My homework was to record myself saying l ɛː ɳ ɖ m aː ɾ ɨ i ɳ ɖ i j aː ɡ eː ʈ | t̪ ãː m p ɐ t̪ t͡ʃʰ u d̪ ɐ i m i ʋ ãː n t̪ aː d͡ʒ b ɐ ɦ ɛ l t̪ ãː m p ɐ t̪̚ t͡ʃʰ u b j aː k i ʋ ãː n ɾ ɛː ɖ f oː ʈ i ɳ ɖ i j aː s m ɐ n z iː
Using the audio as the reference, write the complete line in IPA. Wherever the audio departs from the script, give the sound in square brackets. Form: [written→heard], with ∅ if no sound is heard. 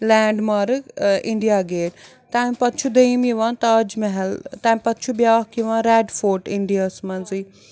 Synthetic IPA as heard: l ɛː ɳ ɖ m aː ɾ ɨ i ɳ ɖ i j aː ɡ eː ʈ | t̪ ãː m p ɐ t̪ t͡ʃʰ u d̪ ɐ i m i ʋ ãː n t̪ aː d͡ʒ [b→m] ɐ ɦ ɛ l t̪ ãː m p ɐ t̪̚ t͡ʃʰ u b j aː k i ʋ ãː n ɾ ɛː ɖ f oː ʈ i ɳ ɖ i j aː s m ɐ n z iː